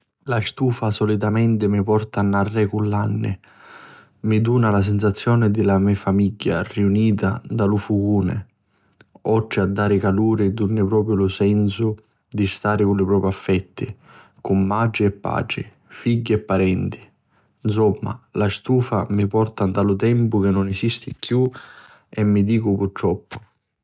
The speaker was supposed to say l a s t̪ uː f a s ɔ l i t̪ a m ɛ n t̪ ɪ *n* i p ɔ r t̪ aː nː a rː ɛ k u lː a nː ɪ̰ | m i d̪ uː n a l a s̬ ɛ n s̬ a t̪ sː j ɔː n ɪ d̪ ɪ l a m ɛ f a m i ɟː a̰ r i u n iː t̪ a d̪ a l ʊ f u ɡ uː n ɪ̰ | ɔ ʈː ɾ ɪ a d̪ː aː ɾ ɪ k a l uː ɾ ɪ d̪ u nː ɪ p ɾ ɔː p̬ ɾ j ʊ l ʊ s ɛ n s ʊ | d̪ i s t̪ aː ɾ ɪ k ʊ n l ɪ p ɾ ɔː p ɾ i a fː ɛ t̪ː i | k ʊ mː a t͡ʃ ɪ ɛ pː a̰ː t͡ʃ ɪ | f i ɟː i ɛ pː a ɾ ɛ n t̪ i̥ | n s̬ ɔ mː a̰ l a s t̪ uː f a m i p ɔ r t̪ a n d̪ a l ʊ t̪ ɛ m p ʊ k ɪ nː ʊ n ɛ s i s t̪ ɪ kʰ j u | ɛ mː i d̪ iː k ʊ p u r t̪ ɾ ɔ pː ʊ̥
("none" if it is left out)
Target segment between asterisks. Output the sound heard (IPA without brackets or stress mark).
m